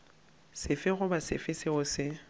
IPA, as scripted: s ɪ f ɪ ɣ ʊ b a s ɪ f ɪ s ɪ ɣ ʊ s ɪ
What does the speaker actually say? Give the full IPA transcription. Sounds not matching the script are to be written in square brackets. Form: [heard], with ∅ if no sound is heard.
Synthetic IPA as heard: s ɪ f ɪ ɣ ʊ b a s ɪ f ɪ s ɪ ɣ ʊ s ɪ